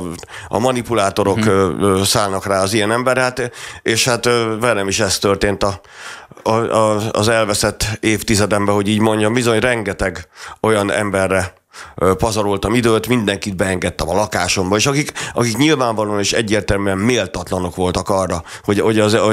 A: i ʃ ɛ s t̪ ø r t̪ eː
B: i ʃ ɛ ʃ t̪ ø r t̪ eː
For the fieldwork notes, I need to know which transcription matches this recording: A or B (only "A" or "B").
A